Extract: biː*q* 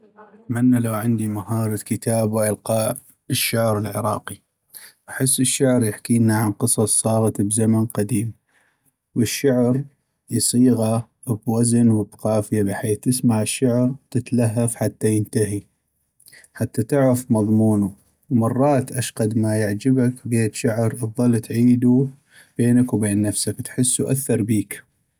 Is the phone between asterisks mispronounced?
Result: yes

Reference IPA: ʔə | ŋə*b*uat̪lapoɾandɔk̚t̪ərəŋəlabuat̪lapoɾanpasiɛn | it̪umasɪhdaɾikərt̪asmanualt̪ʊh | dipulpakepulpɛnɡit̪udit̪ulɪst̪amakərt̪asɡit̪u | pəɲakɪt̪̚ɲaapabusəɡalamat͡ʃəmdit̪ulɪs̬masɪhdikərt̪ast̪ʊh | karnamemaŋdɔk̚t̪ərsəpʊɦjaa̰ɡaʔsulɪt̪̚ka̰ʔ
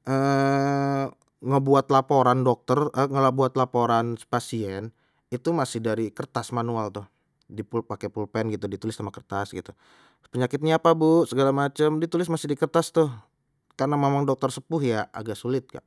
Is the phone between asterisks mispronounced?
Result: no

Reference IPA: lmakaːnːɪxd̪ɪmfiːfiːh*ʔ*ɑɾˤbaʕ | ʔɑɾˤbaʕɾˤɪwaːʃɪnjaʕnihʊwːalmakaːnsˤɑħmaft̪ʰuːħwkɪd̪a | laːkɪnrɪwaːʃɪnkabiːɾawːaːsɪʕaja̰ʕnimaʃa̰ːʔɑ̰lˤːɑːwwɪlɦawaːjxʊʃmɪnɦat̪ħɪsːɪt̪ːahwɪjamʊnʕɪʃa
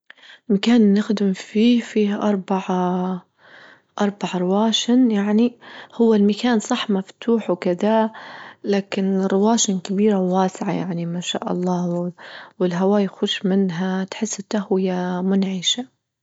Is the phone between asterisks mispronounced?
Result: no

